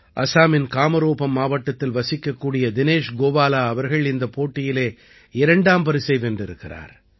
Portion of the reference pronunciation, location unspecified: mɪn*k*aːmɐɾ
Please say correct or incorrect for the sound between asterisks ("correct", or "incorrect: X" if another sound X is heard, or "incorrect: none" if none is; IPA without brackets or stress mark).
correct